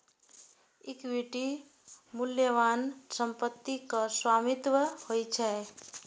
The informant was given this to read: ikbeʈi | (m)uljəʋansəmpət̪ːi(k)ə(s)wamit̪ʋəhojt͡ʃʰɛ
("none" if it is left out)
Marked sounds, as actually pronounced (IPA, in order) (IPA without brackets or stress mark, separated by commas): m, k, s